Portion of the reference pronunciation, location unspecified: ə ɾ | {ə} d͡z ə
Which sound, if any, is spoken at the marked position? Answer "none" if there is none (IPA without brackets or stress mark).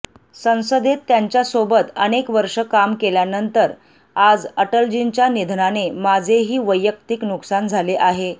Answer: a